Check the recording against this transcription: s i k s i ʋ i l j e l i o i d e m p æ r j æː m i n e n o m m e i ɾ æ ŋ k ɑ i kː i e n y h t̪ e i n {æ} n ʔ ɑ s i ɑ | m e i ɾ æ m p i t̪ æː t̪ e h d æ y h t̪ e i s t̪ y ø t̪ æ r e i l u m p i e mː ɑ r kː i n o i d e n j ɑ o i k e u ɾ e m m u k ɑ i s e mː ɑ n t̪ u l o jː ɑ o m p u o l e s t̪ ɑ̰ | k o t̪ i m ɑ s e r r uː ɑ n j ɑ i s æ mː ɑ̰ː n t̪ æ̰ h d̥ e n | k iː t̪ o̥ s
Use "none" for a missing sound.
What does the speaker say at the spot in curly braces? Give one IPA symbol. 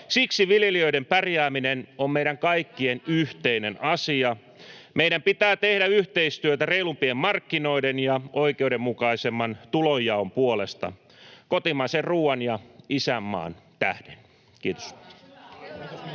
e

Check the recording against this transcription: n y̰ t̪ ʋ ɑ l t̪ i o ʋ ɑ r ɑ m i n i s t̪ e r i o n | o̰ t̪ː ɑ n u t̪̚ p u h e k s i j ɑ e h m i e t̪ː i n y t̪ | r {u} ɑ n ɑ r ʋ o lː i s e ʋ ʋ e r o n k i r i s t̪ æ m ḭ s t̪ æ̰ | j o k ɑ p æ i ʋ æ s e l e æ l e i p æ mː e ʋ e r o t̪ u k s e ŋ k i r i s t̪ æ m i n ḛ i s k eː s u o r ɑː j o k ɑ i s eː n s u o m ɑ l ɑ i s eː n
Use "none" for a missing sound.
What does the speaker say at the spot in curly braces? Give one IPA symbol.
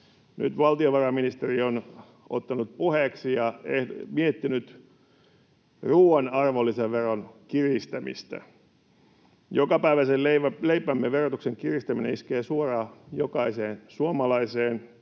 uː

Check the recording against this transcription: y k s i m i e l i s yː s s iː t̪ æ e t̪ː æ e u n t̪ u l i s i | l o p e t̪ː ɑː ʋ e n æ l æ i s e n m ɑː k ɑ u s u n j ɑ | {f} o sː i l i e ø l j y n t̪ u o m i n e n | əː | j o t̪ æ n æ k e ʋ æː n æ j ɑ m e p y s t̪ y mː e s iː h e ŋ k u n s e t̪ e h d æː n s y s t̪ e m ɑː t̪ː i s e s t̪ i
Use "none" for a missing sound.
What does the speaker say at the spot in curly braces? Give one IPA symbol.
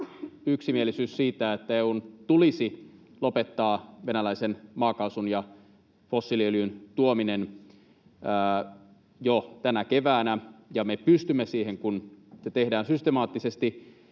f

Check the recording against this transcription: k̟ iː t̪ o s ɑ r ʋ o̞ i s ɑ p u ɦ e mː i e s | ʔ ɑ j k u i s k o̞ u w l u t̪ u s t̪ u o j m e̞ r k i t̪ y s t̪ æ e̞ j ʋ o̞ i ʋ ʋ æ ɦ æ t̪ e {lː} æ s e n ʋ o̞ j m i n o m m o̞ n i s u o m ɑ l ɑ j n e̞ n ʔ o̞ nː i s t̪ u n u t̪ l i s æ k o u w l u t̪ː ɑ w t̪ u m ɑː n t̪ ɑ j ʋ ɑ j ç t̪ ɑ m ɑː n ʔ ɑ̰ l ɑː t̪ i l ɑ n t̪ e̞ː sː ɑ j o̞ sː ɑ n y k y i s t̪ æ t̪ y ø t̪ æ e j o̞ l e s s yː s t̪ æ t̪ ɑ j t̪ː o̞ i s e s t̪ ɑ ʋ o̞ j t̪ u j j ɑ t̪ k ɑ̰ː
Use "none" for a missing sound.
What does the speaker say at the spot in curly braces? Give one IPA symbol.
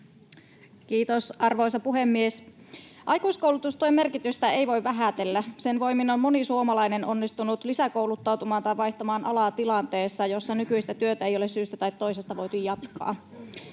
lː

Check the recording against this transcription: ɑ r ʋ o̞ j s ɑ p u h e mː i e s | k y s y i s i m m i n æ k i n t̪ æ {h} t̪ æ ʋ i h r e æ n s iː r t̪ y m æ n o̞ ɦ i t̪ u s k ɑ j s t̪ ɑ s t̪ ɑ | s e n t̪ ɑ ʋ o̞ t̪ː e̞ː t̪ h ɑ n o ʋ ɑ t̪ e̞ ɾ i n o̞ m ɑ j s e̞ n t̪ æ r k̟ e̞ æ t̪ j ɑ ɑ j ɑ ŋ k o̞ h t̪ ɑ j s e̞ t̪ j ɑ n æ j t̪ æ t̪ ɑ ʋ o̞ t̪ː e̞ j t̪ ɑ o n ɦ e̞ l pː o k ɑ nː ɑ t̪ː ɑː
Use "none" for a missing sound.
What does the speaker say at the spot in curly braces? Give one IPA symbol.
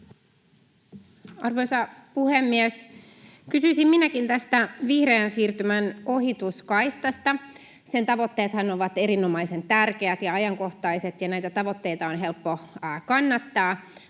s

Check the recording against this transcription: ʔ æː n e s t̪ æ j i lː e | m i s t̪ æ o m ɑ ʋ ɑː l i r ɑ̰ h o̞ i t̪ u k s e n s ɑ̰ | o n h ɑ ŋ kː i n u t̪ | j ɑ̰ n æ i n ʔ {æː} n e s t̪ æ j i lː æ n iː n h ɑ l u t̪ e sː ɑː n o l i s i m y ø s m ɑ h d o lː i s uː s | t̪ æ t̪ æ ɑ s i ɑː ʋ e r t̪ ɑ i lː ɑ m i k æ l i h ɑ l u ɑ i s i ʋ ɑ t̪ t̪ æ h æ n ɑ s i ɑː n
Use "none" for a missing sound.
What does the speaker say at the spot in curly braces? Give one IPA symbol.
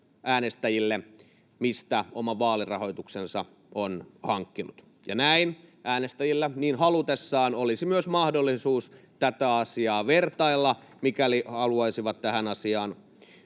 æː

